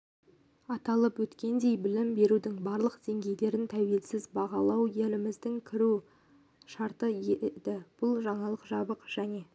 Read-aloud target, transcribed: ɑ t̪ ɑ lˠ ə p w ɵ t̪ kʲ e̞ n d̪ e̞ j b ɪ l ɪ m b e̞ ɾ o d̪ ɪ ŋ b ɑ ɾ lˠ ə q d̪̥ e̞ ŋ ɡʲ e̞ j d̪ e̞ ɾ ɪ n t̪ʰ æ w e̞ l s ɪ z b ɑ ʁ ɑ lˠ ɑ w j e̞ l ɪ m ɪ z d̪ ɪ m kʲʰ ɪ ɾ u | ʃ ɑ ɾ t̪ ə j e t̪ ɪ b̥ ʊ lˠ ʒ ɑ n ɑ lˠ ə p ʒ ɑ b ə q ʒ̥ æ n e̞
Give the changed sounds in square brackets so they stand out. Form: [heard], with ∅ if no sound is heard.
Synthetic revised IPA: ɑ t̪ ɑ lˠ ə p w ɵ t̪ kʲ e̞ n d̪ e̞ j b ɪ l ɪ m b e̞ ɾ [u] d̪ ɪ ŋ b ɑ ɾ lˠ ə q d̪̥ e̞ ŋ ɡʲ e̞ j d̪ e̞ ɾ ɪ n t̪ʰ æ w e̞ l s ɪ z b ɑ ʁ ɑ lˠ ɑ w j e̞ l ɪ m ɪ z d̪ ɪ [ŋ] kʲʰ ɪ ɾ u | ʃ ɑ ɾ t̪ ə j e [d̪] ɪ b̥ ʊ lˠ ʒ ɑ [ɴ] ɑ lˠ ə [q] ʒ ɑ b ə q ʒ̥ æ n e̞